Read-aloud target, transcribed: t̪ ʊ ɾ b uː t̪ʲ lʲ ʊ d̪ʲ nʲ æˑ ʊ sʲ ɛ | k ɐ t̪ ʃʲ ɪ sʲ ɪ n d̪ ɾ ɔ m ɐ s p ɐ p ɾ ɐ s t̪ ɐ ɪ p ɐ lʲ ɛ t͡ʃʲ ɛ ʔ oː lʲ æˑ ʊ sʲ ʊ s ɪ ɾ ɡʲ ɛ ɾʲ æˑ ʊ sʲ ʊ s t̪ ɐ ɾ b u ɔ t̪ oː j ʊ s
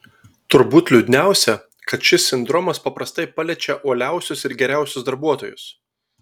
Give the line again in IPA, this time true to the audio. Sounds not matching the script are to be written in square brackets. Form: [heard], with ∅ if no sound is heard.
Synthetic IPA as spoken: t̪ ʊ ɾ b uː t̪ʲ lʲ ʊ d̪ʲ nʲ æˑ ʊ sʲ ɛ | k ɐ t̪ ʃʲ ɪ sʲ ɪ n d̪ ɾ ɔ m ɐ s p ɐ p ɾ ɐ s t̪ ɐ ɪ p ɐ lʲ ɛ t͡ʃʲ ɛ ʔ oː lʲ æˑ ʊ sʲ ʊ s ɪ ɾ ɡʲ ɛ ɾʲ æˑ ʊ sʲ ʊ s [d̪] ɐ ɾ b u ɔ t̪ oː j ʊ s